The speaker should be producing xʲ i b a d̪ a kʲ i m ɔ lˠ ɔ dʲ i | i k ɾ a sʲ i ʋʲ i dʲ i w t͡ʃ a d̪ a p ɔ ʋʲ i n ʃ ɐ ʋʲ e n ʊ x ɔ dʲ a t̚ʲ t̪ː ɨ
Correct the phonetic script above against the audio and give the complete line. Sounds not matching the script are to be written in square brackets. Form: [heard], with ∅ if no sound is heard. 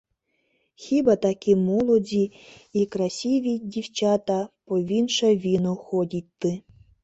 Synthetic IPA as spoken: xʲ i b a [t̪] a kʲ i m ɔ lˠ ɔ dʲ i | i k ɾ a sʲ i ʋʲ i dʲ i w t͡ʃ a [t̪] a p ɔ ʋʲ i n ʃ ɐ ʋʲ [i] n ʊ x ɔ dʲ [i] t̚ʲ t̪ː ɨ